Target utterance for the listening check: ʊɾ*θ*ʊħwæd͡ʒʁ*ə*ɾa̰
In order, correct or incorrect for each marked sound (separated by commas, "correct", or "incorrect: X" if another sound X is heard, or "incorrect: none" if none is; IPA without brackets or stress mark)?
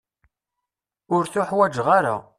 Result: correct, incorrect: a